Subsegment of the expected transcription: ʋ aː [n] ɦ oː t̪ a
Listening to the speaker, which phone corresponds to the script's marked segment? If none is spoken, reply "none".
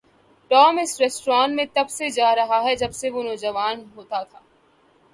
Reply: n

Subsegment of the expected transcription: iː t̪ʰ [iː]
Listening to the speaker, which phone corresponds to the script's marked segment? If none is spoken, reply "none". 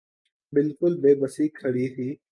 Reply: iː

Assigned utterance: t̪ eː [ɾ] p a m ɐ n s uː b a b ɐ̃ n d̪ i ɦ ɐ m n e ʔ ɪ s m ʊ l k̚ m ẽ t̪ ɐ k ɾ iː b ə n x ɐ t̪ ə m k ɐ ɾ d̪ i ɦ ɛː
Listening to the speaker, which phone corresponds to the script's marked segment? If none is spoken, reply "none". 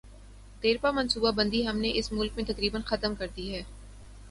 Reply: ɾ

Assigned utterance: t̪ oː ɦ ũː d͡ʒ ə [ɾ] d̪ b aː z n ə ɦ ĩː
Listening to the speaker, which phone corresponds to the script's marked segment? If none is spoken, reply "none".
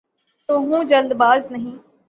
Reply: l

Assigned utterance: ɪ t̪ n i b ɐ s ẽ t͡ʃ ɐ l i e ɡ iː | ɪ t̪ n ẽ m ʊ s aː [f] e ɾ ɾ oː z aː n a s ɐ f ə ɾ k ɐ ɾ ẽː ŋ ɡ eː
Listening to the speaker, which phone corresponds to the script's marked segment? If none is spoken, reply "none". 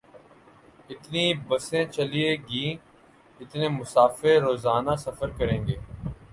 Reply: f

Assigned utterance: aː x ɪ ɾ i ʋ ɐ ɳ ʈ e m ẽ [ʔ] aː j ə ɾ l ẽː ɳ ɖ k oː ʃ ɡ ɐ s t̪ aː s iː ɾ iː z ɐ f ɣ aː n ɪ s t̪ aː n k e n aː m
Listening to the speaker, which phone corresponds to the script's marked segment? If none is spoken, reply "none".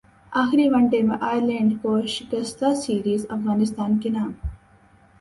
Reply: ʔ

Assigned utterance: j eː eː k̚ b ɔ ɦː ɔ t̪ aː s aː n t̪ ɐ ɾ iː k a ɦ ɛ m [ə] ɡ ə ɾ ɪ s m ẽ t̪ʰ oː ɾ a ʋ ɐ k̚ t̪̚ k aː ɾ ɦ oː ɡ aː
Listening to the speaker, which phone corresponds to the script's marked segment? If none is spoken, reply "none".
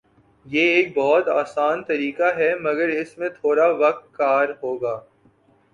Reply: ɐ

